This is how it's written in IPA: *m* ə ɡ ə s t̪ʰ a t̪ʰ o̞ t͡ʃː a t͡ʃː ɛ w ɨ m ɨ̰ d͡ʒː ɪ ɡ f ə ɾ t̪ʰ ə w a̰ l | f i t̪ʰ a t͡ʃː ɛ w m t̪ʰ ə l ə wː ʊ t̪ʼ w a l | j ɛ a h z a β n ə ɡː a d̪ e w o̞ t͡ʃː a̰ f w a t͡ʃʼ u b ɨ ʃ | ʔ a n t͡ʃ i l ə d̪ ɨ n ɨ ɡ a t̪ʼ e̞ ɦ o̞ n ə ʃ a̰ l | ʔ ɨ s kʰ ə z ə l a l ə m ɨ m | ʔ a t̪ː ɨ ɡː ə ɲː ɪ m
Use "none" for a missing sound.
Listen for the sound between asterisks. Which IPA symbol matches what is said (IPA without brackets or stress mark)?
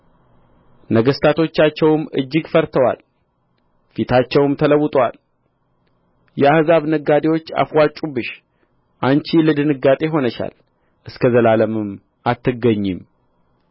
n